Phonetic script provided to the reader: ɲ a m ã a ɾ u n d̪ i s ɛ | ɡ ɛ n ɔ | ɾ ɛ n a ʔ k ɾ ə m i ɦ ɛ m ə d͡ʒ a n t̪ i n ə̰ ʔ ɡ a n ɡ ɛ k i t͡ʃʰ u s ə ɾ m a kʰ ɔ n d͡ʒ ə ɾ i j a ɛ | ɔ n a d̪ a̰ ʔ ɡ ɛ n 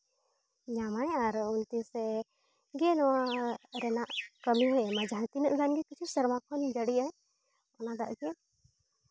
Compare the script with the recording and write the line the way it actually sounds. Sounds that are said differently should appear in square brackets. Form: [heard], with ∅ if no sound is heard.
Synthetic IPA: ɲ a m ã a ɾ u n [t̪] i s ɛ | ɡ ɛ n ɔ | ɾ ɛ n a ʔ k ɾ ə m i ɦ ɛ m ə d͡ʒ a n t̪ i n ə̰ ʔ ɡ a n ɡ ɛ k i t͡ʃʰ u s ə ɾ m a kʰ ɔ n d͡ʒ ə [ɽ] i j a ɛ | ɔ n a d̪ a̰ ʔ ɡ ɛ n